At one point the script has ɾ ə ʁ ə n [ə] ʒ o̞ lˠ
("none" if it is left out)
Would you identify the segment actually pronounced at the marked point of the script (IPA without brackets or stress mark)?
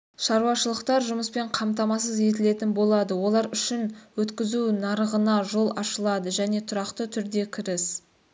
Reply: ɑ